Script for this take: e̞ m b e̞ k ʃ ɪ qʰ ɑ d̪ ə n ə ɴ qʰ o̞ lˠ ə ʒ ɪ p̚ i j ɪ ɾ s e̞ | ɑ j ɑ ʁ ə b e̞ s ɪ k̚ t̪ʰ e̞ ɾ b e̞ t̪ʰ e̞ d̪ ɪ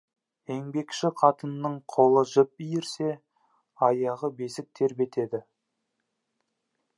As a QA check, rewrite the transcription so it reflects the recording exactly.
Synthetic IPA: e̞ ŋ b e̞ k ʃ ɪ qʰ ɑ t̪ ə nː ə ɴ qʰ o̞ lˠ ə ʒ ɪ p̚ i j ɪ ɾ s e̞ | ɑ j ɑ ʁ ə b e̞ s ɪ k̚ t̪ʰ e̞ ɾ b e̞ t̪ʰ e̞ d̪ ɪ